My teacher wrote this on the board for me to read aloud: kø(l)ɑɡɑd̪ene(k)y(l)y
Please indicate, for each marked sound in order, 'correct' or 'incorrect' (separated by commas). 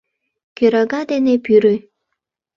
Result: incorrect, incorrect, incorrect